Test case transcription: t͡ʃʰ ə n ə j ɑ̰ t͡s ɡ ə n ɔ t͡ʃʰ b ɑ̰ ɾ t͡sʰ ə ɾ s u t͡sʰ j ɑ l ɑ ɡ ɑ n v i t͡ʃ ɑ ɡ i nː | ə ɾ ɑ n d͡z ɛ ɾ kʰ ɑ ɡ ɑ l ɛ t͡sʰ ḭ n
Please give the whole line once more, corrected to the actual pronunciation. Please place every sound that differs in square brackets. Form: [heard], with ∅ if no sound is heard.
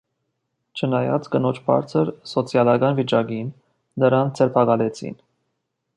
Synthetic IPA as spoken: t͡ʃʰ ə n [ɑ] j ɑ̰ t͡s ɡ ə n ɔ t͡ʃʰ b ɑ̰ ɾ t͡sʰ ə ɾ s [ɔ] t͡sʰ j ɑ l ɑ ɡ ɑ n v i t͡ʃ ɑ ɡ i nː | ə ɾ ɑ n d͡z ɛ ɾ [pʰ] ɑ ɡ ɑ l ɛ t͡sʰ ḭ n

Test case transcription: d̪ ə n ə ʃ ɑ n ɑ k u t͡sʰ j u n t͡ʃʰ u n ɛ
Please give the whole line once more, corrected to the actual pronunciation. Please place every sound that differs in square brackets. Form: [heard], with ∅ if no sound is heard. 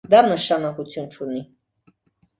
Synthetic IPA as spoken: d̪ [ɑ] n ə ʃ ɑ n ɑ k u t͡sʰ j u n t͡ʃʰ u n [i]

